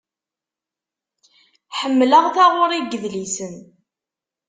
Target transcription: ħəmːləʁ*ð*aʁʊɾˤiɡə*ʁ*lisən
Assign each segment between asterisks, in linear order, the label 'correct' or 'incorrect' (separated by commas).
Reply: incorrect, incorrect